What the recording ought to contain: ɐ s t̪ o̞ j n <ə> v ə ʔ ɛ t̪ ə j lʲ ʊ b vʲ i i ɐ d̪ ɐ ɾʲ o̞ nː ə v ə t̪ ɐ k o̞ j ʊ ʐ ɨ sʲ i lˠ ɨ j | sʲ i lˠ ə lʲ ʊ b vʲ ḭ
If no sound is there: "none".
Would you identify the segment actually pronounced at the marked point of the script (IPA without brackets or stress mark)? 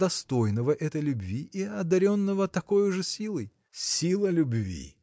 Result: ə